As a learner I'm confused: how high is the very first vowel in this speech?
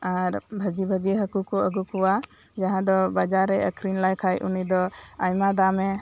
low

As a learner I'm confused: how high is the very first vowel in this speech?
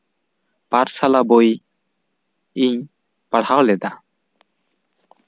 low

